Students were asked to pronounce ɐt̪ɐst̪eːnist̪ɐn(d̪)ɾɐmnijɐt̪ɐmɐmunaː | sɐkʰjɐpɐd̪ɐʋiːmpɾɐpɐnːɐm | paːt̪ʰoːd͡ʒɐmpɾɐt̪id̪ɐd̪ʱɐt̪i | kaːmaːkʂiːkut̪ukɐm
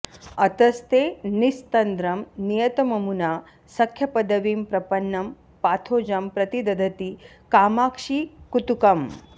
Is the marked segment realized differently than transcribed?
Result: no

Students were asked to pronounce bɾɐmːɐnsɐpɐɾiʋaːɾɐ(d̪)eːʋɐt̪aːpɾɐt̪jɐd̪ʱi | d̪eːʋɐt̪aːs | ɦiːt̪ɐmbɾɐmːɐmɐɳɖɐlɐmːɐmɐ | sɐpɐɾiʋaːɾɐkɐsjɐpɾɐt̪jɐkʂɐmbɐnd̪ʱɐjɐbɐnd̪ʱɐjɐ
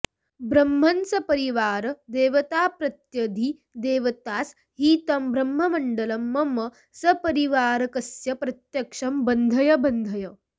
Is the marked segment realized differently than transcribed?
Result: no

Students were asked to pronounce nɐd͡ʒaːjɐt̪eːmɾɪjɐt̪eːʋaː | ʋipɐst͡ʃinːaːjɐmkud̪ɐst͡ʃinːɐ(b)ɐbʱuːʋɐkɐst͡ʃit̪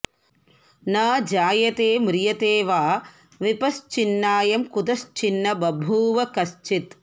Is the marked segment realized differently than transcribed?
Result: no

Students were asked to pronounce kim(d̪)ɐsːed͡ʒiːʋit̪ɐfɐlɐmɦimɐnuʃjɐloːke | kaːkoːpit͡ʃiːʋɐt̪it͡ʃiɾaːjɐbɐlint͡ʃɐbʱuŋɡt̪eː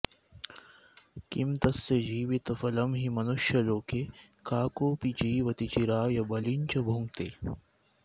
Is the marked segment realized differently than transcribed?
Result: yes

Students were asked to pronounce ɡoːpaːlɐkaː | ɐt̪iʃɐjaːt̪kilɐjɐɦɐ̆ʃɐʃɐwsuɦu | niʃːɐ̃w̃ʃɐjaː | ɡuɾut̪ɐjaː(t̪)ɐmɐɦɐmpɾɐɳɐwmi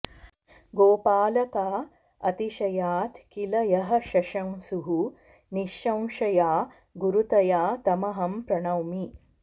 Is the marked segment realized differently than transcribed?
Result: no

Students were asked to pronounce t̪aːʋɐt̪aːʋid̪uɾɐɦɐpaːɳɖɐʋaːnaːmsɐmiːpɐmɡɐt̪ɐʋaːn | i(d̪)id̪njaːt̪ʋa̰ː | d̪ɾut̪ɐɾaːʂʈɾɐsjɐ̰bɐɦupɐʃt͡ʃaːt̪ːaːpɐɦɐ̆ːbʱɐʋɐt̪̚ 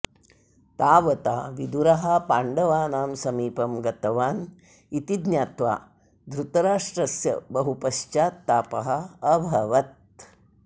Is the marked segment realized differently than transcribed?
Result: yes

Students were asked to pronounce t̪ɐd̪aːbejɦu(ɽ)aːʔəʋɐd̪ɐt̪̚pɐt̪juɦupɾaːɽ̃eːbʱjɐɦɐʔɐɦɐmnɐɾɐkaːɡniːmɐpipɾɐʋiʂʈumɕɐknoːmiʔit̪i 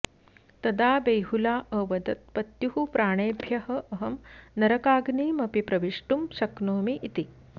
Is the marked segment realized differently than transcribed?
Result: yes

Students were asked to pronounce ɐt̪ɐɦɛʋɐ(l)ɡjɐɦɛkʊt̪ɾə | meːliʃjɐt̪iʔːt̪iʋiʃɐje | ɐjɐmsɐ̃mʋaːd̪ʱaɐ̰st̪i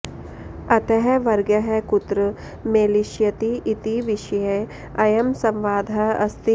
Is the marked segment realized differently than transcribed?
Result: yes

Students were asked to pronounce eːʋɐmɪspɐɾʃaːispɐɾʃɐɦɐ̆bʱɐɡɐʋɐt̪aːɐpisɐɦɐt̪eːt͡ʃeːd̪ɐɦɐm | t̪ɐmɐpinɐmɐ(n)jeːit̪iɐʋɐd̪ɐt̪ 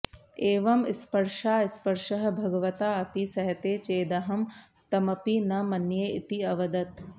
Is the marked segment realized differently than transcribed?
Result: no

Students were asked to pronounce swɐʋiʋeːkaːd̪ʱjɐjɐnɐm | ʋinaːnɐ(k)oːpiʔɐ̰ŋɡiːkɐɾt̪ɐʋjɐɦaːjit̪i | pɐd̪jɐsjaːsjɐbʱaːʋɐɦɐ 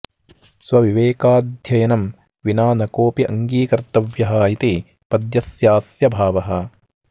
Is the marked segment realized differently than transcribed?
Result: no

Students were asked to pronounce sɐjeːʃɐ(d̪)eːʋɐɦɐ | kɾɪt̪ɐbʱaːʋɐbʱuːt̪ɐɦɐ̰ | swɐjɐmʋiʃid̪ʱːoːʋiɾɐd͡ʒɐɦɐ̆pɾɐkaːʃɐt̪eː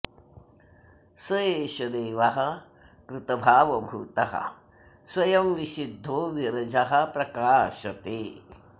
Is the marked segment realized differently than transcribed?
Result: no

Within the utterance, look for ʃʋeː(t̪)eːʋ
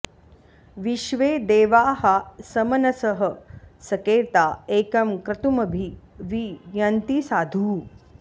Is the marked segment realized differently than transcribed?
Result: yes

